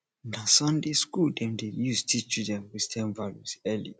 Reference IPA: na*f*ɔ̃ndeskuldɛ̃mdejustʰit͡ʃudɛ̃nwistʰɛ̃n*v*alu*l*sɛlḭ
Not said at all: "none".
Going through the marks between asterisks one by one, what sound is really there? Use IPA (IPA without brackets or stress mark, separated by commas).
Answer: s, v, none